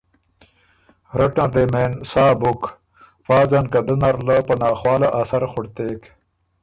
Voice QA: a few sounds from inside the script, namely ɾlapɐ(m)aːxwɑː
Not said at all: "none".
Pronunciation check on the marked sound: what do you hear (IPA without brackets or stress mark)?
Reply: n